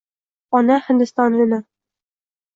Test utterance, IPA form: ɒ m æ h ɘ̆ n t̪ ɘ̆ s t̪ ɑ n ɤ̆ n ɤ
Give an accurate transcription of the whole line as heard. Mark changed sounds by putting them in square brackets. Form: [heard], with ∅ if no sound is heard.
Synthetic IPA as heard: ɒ [n] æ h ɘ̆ n [d̪] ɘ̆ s t̪ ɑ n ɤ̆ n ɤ